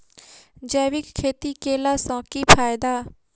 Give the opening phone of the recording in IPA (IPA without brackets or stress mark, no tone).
d͡ʒ